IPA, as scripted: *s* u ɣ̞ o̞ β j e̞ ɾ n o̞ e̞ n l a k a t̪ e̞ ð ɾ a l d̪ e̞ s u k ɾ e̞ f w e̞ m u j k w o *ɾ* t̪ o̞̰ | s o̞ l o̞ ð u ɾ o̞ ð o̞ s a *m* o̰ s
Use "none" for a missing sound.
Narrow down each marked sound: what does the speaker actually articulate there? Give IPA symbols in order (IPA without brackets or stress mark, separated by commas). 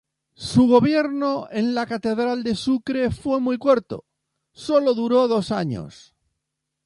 s, ɾ, ɲ